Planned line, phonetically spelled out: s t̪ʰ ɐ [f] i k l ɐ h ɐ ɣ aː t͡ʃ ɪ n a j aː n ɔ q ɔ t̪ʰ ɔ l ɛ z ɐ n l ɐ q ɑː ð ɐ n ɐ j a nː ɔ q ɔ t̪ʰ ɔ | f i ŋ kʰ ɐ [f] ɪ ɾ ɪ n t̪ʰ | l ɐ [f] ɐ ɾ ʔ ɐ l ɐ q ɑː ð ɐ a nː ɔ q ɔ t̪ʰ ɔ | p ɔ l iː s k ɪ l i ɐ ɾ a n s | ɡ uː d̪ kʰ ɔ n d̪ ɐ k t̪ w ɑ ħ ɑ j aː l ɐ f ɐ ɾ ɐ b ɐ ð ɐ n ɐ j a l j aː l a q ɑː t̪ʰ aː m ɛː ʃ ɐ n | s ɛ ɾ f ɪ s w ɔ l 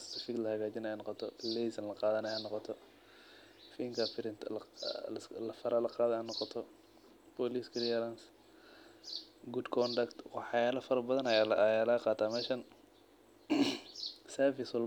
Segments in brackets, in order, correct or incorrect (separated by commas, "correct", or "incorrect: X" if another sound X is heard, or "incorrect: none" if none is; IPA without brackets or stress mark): correct, correct, correct